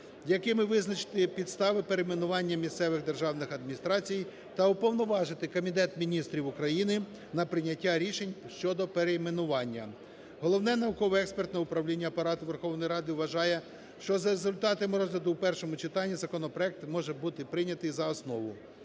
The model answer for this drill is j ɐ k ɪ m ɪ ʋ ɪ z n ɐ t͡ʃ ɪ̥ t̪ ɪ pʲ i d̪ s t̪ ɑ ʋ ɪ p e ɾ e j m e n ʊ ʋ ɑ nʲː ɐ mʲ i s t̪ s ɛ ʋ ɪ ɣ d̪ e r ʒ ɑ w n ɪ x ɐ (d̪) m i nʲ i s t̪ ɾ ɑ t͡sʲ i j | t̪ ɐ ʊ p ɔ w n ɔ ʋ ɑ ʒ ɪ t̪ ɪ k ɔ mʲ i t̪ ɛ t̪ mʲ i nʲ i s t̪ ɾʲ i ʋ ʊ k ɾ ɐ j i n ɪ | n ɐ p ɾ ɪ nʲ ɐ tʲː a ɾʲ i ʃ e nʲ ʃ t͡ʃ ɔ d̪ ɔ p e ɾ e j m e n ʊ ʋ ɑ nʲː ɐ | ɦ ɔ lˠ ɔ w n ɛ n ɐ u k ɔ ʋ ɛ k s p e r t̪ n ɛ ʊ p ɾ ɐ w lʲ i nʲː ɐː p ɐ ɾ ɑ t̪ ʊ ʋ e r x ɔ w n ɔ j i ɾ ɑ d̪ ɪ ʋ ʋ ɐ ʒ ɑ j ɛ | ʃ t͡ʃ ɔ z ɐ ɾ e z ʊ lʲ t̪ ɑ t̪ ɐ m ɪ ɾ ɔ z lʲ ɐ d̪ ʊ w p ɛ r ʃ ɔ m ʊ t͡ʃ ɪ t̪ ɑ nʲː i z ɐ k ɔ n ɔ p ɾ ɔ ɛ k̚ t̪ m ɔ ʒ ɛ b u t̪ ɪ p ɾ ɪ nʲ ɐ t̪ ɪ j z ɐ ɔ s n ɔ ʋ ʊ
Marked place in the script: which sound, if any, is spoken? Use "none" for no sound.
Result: d̪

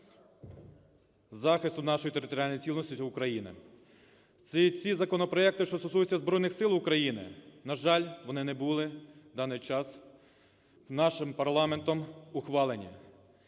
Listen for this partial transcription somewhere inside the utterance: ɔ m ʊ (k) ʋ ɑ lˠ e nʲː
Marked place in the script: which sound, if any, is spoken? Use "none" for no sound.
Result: x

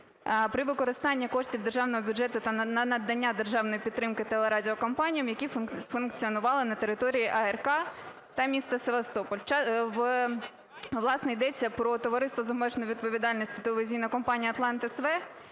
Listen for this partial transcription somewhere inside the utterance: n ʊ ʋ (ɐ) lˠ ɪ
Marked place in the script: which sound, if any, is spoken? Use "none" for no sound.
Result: ɑ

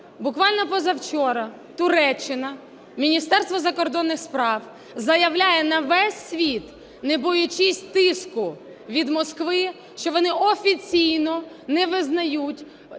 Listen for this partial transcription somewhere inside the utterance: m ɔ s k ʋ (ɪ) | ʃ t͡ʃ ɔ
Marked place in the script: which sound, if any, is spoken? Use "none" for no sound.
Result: ɪ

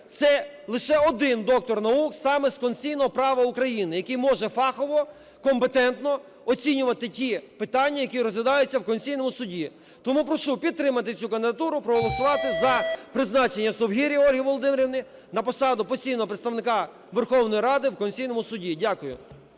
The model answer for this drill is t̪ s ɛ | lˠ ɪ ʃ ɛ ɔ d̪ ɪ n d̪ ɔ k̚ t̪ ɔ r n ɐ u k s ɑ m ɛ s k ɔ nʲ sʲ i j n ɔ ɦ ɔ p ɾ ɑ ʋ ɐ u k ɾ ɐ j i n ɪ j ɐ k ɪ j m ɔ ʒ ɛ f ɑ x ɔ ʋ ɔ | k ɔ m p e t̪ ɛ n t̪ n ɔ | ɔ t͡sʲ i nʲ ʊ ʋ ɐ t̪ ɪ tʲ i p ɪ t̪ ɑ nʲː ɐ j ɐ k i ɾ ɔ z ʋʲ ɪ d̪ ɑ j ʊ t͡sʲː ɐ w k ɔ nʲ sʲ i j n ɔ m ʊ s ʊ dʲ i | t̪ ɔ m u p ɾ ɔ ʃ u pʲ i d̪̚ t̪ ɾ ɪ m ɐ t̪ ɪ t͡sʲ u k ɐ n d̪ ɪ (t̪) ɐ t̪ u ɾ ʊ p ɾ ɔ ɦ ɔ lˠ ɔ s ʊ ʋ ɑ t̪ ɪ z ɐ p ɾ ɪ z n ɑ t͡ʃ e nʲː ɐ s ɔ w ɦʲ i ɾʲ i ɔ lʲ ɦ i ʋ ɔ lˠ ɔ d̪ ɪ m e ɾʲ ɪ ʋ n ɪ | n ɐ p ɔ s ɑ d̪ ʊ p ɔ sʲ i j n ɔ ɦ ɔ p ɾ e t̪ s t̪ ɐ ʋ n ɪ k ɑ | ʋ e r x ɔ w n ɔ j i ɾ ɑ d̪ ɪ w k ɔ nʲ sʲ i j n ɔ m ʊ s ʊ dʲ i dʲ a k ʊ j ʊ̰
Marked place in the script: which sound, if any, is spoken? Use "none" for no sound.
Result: d̪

